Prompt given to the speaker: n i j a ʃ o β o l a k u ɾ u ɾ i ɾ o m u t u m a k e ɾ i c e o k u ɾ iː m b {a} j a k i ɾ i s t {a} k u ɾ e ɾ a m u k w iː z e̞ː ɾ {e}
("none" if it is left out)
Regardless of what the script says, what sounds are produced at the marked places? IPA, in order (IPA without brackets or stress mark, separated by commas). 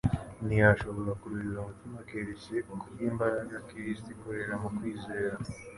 a, i, a